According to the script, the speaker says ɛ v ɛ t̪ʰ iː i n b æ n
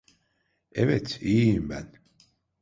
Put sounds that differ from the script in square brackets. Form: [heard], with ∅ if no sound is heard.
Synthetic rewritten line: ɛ v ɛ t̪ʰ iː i [m] b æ n

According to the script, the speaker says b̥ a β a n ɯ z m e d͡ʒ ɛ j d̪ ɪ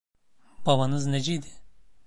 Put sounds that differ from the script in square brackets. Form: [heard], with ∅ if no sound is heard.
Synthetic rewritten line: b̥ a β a n ɯ z [n] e d͡ʒ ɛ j d̪ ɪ

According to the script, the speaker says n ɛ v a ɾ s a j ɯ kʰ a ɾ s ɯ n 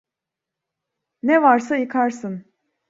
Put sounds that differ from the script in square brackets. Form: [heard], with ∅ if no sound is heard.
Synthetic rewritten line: n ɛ v a ɾ s a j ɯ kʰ a ɾ s ɯ n

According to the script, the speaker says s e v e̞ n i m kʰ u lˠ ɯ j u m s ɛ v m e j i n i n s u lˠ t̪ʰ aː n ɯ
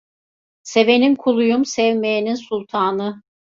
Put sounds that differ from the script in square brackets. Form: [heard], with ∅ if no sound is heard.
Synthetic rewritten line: s e v e̞ n i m kʰ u lˠ [u] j u m s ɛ v m e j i n i n s u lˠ t̪ʰ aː n ɯ

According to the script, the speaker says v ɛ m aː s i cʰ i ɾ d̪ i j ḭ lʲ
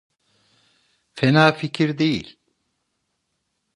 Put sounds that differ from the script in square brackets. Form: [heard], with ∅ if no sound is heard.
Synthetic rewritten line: [f] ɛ [n] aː [f] i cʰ i ɾ d̪ [e] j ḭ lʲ

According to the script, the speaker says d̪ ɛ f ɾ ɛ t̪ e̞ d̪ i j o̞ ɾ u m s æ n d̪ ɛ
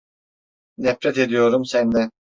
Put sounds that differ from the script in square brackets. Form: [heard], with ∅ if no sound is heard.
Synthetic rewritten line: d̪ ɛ f ɾ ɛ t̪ e̞ d̪ i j o̞ ɾ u m s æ n d̪ ɛ

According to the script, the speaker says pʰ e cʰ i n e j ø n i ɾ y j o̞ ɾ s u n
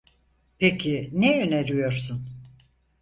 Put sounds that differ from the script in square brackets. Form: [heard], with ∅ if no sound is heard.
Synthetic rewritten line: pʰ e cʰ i n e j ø n [e] ɾ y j o̞ ɾ s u n

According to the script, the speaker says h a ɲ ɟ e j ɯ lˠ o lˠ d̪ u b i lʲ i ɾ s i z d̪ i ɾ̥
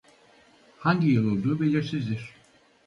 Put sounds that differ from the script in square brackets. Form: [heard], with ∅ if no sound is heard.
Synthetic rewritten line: h a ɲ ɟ [i] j ɯ lˠ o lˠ d̪ [uː] b [e] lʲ i ɾ s i z d̪ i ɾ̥

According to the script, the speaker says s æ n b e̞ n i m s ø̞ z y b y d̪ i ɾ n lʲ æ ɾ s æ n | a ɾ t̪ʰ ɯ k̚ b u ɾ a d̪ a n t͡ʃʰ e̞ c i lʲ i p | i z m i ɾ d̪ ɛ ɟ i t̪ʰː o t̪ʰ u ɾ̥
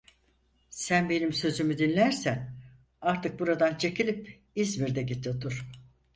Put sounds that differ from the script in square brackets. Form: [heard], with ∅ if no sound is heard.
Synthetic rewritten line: s æ n b e̞ n i m s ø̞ z y [m] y d̪ i [∅] n lʲ æ ɾ s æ n | a ɾ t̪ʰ ɯ k̚ b u ɾ a d̪ a n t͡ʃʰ e̞ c i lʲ i p | i z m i ɾ d̪ ɛ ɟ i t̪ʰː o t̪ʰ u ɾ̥

